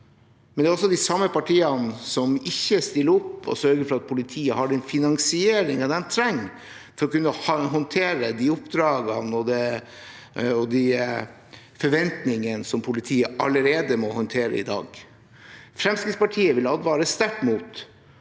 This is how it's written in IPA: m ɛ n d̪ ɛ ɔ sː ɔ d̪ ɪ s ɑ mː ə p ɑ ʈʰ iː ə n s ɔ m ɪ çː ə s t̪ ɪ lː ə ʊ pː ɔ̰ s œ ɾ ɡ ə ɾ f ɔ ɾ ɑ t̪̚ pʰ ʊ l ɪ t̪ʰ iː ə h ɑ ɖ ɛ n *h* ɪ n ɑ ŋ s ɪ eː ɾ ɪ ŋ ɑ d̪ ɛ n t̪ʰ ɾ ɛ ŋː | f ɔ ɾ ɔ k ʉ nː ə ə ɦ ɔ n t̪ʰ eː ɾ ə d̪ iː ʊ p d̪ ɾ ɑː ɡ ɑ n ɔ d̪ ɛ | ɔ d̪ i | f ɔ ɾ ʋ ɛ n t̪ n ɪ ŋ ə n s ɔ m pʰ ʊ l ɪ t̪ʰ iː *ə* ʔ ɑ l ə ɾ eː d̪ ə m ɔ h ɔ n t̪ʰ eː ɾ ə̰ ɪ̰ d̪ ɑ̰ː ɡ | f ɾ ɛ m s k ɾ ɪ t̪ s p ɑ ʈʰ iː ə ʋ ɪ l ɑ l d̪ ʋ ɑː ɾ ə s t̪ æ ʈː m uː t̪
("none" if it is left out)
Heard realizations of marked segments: f, ə

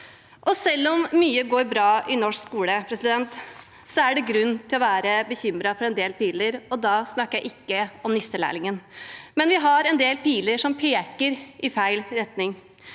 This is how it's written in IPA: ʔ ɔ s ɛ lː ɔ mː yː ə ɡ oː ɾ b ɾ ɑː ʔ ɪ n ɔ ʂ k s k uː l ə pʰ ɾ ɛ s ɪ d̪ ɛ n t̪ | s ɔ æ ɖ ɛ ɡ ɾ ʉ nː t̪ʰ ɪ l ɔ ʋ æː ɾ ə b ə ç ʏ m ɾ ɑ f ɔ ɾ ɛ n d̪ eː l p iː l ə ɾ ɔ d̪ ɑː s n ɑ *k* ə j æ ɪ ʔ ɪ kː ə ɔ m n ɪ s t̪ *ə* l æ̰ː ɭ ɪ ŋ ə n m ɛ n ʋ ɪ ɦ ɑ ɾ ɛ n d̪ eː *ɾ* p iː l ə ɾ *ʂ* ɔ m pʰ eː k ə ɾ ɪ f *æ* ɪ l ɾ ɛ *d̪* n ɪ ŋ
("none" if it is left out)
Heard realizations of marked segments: k, ə, l, ʂ, æ, t̪

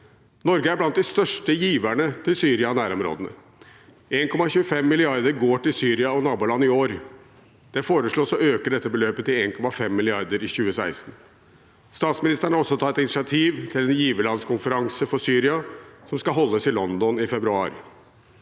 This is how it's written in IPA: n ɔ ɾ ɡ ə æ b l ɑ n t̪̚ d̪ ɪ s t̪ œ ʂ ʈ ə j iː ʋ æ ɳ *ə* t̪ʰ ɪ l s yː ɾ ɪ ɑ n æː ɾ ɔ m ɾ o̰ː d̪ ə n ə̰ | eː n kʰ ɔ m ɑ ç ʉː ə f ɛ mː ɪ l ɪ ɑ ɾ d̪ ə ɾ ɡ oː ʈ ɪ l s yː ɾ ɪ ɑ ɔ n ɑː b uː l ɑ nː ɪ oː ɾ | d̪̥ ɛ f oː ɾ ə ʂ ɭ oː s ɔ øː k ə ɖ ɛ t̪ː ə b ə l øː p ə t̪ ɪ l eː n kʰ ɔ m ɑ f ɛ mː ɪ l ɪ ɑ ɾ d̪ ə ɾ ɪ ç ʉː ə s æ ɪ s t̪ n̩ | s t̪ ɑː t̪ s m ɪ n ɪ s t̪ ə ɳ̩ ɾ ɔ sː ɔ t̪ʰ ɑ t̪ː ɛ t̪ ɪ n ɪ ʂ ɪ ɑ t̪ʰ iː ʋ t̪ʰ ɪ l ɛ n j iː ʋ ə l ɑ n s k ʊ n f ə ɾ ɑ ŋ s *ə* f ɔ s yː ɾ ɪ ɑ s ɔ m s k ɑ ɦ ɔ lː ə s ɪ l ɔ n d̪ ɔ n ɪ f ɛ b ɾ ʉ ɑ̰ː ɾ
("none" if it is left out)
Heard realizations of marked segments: ə, ə

